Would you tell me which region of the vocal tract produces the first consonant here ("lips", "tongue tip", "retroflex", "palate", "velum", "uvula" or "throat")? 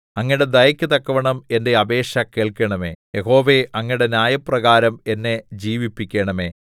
velum